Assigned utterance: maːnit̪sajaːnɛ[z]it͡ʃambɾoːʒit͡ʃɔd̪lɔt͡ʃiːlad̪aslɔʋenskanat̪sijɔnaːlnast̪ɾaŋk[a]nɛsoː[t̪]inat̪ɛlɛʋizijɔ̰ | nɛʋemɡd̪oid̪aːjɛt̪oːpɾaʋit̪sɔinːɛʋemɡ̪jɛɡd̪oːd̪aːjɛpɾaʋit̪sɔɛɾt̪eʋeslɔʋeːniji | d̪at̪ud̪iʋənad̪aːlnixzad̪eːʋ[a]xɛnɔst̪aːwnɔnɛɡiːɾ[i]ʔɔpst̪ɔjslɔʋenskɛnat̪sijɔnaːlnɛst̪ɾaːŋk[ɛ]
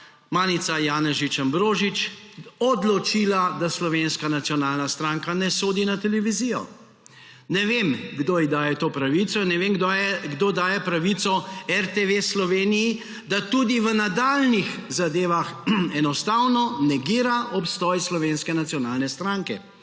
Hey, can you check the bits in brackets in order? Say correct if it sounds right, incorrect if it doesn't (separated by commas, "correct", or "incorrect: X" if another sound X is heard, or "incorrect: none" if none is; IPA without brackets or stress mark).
incorrect: ʒ, correct, incorrect: d̪, correct, incorrect: a, correct